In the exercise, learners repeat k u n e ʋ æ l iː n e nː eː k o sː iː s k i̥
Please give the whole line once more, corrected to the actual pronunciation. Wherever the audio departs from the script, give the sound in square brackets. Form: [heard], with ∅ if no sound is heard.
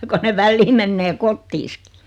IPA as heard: k [o] n e ʋ æ [lː] iː [m] e nː eː k o [tː] iː s k i̥